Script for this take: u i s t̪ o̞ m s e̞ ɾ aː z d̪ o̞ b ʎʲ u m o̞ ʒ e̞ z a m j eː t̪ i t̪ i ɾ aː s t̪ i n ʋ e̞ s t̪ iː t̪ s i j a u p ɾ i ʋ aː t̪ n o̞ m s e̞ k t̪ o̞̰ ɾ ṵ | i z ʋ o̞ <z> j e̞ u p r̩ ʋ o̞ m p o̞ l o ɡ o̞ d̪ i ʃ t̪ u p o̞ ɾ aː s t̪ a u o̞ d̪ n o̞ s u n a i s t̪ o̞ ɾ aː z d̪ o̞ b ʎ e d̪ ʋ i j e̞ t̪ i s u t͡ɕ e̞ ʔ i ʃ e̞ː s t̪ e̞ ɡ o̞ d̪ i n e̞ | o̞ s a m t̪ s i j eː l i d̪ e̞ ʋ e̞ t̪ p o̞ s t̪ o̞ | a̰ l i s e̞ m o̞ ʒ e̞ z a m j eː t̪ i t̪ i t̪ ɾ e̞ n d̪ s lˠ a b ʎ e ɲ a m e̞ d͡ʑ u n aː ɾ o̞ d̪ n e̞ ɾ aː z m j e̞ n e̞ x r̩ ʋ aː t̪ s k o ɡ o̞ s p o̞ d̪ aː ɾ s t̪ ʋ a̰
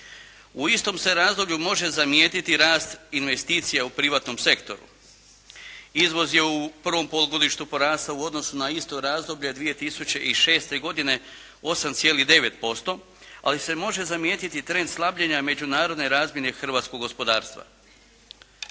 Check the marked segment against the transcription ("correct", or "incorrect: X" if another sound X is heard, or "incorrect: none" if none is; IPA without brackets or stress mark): correct